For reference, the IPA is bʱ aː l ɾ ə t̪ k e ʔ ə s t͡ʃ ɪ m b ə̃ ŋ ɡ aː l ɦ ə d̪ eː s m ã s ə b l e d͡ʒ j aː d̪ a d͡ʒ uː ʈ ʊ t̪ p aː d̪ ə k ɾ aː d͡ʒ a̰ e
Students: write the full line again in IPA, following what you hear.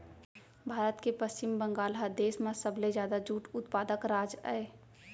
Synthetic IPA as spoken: bʱ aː ɾ ə t̪ k e p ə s t͡ʃ ɪ m b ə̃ ŋ ɡ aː l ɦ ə d̪ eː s m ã s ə b l e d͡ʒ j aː d̪ a d͡ʒ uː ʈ ʊ t̪ p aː d̪ ə k ɾ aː d͡ʒ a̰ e